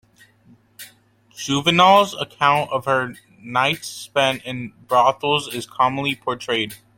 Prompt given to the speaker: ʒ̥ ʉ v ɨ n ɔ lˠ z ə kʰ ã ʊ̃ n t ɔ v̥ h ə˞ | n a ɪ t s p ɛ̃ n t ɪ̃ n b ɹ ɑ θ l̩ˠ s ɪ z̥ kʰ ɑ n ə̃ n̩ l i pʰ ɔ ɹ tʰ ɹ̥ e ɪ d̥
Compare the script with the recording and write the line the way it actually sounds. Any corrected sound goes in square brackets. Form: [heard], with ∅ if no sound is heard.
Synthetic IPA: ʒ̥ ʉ v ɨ n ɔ lˠ z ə kʰ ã ʊ̃ n t [ʌ] v̥ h ə˞ | n a ɪ t s p ɛ̃ n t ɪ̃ n b ɹ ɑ θ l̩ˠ [z] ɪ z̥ kʰ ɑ [m] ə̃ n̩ l i pʰ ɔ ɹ tʰ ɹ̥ e ɪ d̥